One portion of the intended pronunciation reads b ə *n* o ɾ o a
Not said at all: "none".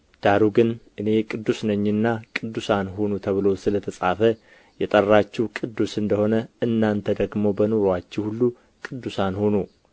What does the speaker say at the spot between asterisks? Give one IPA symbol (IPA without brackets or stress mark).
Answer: n